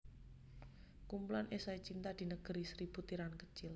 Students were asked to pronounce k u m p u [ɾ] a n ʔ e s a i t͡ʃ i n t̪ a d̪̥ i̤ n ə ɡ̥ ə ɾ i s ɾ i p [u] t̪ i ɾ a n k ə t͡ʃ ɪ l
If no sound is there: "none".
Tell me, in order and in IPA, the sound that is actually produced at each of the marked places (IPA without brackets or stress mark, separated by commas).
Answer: l, u